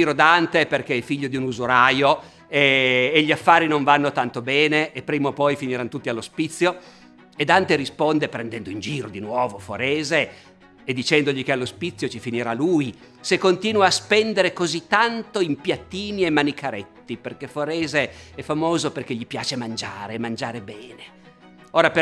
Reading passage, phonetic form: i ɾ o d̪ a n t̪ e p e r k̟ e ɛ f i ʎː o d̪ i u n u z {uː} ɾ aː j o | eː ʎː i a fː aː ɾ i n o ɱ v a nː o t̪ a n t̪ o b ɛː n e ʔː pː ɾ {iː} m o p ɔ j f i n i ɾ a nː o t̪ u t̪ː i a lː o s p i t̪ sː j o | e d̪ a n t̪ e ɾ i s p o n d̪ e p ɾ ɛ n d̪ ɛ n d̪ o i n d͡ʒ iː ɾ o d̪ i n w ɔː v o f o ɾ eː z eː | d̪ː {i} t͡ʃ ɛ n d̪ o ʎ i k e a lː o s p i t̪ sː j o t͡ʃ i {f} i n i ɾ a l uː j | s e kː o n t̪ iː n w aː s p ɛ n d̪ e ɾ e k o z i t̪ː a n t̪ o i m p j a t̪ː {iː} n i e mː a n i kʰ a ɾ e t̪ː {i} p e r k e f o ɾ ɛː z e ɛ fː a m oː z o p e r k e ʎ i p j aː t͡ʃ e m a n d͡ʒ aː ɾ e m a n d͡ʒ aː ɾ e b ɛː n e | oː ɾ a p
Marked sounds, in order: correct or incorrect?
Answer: incorrect, correct, correct, correct, correct, correct

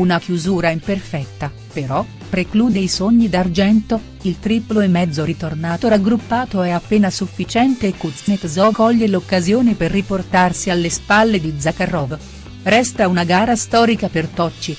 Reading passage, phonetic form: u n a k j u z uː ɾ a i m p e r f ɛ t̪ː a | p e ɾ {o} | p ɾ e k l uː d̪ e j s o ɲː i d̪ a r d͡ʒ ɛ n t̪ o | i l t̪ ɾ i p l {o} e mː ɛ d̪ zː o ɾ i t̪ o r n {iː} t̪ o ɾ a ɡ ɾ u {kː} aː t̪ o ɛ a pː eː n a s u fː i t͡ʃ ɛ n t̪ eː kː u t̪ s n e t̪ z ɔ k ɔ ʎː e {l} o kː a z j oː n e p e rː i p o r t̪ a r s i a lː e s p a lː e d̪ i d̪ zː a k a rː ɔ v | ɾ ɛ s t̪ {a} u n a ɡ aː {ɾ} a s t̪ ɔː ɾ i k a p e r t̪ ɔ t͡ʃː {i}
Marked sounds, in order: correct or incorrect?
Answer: incorrect, correct, incorrect, incorrect, correct, correct, correct, correct

